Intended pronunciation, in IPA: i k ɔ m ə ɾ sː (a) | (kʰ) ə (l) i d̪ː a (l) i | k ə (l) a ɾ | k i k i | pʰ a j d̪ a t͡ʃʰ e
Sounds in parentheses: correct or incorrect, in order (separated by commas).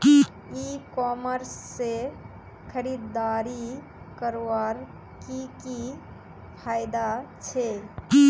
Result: incorrect, correct, incorrect, incorrect, incorrect